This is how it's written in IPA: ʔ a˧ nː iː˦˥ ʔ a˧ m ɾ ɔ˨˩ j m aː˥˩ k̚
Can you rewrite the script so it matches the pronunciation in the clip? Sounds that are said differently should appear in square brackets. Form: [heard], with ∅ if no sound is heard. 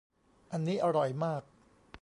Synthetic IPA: ʔ a˧ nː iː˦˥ ʔ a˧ [∅] ɾ ɔ˨˩ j m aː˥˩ k̚